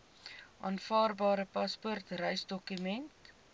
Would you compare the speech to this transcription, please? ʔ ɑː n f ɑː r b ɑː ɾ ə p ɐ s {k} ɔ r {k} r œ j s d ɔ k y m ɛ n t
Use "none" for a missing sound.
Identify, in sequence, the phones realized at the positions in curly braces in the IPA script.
p, t

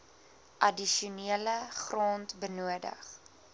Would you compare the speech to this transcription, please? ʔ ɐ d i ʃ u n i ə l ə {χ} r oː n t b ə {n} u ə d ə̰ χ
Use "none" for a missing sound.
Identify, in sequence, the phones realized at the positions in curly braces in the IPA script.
χ, n

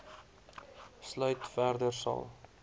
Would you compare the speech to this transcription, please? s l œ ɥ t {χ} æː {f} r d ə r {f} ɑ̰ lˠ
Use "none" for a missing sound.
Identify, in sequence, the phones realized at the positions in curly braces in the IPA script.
f, none, s

